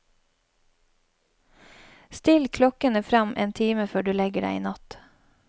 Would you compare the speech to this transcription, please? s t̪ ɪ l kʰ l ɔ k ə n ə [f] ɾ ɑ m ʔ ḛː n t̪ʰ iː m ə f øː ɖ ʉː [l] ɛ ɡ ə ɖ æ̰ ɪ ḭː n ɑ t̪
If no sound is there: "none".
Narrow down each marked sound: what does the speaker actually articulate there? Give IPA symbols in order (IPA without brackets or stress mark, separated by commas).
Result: f, l